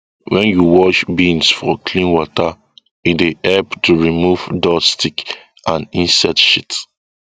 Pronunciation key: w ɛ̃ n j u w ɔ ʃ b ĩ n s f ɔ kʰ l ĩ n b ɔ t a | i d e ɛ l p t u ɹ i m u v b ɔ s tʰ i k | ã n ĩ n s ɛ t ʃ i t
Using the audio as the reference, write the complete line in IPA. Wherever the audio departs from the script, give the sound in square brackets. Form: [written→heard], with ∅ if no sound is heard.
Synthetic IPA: w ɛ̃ n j u w ɔ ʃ b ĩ n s f ɔ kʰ l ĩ n [b→w] ɔ t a | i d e ɛ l p t u ɹ i m u v [b→d] ɔ s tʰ i k | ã n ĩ n s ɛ t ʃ i t